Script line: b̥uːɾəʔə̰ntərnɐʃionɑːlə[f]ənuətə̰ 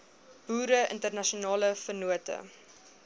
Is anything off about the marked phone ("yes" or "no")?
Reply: no